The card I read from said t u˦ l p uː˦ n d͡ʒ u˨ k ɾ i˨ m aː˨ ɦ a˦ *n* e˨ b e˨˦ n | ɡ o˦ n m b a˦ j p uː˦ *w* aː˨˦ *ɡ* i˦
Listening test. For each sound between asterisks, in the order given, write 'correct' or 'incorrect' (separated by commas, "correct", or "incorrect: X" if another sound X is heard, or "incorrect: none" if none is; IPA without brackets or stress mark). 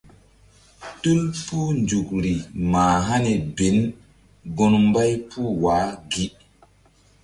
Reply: correct, correct, correct